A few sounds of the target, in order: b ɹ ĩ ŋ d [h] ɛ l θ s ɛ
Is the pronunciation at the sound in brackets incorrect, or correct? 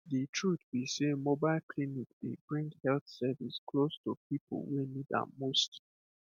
correct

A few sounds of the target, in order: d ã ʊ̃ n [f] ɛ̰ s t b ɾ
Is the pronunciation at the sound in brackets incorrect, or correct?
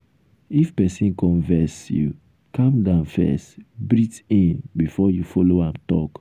correct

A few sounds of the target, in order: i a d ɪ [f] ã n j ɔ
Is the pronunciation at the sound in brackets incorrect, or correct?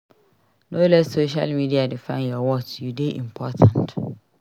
correct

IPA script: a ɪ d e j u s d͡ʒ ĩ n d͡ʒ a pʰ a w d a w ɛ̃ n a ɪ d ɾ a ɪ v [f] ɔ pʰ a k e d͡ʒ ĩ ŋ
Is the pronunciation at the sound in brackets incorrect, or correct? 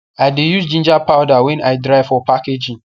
correct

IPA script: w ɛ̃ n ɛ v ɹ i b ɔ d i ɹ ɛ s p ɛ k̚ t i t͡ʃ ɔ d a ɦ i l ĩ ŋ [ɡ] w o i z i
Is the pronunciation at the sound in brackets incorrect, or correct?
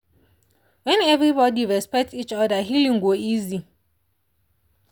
correct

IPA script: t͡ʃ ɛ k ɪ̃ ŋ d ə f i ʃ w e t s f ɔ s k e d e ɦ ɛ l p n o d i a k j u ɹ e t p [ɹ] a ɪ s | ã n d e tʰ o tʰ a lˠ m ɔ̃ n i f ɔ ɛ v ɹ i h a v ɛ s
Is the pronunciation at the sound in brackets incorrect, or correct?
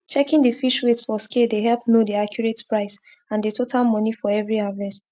correct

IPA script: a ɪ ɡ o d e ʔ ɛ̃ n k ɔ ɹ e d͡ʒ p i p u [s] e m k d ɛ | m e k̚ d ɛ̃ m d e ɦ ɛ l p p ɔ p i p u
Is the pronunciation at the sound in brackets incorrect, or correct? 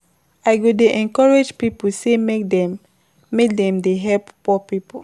correct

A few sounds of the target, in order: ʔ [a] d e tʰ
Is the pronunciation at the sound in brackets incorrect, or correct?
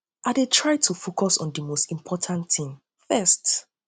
correct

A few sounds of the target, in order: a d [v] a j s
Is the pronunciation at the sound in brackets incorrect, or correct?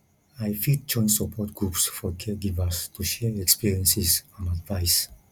correct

